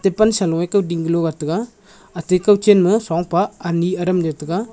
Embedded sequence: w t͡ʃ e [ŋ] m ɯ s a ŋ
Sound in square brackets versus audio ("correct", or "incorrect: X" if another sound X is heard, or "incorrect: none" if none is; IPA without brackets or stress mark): incorrect: n